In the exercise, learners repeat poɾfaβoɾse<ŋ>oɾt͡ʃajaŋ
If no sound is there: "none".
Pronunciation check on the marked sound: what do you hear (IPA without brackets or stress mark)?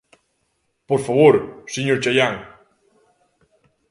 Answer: ɲ